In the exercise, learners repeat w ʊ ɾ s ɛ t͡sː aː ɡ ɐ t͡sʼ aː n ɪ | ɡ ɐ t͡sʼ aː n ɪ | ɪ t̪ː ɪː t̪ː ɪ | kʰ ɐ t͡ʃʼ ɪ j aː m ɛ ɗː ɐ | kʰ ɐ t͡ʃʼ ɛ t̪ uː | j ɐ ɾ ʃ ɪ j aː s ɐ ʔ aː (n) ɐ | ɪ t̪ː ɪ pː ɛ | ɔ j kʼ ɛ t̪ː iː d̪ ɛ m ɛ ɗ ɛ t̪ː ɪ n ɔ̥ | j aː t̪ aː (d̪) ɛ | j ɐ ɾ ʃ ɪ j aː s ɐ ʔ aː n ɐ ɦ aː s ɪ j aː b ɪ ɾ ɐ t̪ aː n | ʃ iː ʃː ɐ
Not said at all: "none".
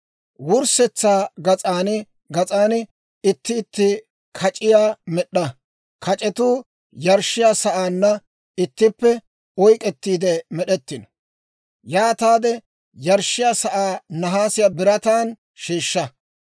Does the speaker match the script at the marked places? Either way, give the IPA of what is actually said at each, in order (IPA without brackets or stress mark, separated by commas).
nː, d̪